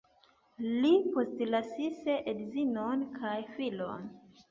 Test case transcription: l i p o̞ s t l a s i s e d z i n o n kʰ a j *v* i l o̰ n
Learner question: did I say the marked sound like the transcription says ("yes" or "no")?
no